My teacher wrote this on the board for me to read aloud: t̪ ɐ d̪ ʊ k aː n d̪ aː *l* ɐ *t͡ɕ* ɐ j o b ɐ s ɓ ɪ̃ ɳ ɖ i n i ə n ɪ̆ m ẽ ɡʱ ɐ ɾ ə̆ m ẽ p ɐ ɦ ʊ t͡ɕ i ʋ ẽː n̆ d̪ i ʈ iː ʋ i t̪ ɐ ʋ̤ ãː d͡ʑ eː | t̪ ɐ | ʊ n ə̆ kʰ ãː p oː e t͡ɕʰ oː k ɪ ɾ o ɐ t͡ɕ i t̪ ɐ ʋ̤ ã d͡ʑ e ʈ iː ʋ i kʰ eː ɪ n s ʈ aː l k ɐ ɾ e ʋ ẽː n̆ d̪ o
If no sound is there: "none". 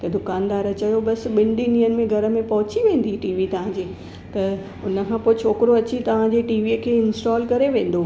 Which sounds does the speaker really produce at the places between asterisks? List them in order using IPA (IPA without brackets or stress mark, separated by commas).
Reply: ɾ, t͡ɕ